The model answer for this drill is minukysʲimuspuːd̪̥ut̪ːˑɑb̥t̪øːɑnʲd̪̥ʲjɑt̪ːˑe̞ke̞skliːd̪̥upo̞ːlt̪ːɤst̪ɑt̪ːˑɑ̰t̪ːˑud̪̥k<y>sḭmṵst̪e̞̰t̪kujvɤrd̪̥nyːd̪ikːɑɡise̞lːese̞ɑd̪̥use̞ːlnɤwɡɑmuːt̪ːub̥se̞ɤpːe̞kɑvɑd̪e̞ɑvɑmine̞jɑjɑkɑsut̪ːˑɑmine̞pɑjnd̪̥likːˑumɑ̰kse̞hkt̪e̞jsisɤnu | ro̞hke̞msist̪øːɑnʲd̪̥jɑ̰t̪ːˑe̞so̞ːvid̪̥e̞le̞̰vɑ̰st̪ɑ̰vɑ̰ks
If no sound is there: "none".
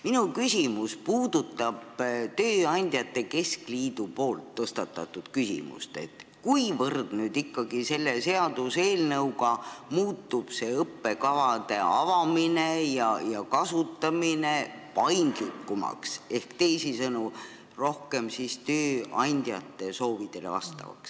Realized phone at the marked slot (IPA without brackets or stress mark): y